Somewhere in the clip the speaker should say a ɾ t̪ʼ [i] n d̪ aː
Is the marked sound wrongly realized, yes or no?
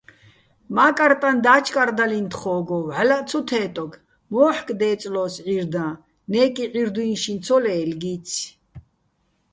yes